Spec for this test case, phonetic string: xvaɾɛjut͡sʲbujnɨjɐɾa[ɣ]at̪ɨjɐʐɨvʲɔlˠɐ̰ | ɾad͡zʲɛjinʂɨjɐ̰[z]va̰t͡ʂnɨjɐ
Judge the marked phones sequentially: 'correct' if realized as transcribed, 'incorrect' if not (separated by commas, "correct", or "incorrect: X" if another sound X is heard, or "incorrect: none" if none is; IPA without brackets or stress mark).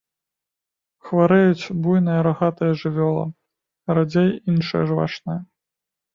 correct, incorrect: ʐ